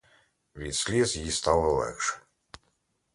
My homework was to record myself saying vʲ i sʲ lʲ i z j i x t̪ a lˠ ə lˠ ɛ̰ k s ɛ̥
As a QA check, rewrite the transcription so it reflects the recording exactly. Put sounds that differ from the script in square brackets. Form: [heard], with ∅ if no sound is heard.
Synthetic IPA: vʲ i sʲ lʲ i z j i [s] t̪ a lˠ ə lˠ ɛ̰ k [ʂ] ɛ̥